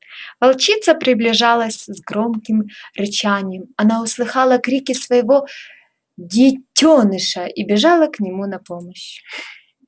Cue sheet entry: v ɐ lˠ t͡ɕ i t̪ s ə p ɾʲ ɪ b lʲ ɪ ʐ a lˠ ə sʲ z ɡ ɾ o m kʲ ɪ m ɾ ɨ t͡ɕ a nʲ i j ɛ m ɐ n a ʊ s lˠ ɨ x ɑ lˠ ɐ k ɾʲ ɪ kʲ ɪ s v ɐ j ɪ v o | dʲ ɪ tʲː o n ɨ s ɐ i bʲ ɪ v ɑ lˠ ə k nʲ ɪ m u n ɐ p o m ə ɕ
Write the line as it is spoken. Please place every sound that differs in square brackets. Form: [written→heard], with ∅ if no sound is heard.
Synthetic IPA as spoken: v ɐ lˠ t͡ɕ i t̪ s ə p ɾʲ ɪ b lʲ ɪ ʐ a lˠ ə sʲ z ɡ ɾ o m kʲ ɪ m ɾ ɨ t͡ɕ a nʲ [i→ɪ] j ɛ m ɐ n a ʊ s lˠ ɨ x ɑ lˠ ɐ k ɾʲ [ɪ→i] kʲ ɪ s v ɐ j ɪ v o | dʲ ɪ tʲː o n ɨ [s→ʂ] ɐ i bʲ ɪ [v→ʐ] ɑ lˠ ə k nʲ ɪ m u n ɐ p o m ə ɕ